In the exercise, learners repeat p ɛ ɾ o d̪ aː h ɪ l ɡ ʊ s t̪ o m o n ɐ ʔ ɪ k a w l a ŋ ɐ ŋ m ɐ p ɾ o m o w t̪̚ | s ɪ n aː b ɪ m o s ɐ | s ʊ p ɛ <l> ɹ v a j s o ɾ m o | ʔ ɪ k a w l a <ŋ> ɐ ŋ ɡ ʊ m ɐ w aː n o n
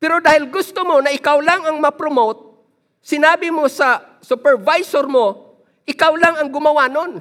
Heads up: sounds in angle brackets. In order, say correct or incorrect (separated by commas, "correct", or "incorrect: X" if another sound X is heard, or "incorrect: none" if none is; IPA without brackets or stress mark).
incorrect: none, correct